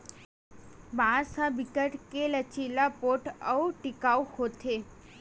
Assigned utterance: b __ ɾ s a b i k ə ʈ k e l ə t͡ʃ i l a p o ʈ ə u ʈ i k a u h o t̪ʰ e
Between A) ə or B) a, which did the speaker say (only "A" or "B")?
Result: B